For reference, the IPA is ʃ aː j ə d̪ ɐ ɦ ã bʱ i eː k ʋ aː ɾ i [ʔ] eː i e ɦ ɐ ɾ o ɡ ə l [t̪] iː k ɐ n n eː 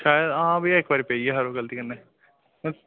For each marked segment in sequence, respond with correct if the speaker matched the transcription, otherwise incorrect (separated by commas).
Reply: incorrect, correct